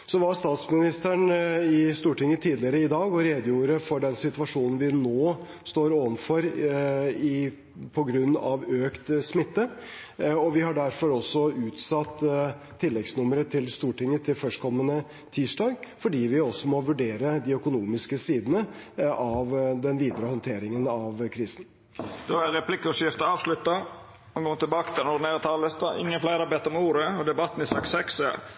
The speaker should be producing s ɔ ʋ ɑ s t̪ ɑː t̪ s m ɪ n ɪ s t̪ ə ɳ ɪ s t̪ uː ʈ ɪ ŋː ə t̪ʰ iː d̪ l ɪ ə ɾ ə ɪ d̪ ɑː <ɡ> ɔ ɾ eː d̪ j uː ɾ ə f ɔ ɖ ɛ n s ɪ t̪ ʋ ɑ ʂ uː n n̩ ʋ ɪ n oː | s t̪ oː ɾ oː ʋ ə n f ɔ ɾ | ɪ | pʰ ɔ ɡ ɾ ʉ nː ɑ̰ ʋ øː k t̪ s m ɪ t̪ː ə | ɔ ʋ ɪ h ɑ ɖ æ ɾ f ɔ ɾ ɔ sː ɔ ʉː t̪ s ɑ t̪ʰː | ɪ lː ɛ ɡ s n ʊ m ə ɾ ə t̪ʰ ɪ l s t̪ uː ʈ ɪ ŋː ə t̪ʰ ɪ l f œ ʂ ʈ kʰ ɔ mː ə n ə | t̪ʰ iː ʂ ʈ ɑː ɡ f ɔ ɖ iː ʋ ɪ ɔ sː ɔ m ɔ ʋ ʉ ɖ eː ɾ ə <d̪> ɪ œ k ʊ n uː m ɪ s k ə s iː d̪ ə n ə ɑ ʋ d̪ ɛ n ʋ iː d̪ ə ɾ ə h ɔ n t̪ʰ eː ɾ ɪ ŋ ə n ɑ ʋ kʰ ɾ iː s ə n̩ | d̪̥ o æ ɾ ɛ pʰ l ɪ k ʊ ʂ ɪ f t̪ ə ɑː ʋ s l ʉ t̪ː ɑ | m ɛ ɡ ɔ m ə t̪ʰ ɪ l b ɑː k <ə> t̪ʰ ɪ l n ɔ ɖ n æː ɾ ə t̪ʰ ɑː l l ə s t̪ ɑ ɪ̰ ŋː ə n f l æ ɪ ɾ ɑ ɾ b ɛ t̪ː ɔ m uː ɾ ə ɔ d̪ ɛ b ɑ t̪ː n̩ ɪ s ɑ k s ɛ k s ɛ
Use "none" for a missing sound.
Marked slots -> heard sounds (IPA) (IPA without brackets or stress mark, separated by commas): ɡ, d̪, ə